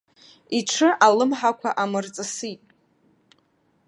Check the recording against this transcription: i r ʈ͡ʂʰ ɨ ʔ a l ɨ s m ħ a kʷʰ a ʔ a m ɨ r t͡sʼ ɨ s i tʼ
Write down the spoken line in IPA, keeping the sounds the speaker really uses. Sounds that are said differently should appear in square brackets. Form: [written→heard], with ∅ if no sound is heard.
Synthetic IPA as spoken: i [r→∅] ʈ͡ʂʰ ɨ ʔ a l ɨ [s→∅] m ħ a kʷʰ a ʔ a m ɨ r t͡sʼ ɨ s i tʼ